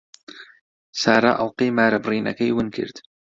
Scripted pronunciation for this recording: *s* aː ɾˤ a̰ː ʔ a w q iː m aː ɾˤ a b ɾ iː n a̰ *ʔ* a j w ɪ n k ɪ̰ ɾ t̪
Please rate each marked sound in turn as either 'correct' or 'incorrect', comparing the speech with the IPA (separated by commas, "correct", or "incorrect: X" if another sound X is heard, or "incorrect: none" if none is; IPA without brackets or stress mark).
correct, incorrect: k